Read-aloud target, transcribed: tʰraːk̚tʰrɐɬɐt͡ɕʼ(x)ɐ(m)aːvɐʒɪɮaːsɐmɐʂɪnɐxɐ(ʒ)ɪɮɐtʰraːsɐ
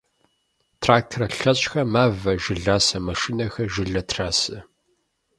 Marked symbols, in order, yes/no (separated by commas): yes, yes, yes